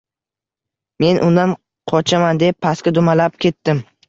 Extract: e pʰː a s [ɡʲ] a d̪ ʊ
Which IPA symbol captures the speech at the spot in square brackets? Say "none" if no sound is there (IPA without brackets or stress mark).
kʲ